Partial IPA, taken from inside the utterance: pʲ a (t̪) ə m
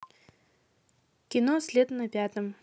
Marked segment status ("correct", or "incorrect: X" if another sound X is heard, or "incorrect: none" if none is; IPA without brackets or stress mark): correct